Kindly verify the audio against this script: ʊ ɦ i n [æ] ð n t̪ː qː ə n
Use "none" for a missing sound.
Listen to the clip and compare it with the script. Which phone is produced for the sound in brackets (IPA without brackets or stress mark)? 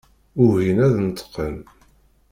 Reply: æ